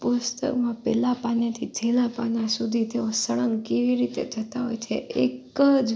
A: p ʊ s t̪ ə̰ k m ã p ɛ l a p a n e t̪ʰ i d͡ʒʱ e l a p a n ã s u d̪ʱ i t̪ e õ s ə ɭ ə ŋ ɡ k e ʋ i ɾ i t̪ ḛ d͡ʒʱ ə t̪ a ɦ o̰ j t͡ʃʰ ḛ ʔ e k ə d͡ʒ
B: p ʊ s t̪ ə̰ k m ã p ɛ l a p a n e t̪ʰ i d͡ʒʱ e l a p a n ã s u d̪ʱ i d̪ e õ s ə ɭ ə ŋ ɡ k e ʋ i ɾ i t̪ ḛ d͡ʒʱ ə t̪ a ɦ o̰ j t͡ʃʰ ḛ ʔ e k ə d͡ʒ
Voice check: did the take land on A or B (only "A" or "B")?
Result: A